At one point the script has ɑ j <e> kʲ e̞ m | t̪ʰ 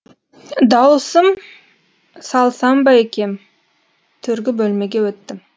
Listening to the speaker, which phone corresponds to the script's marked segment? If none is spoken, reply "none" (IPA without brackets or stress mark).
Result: e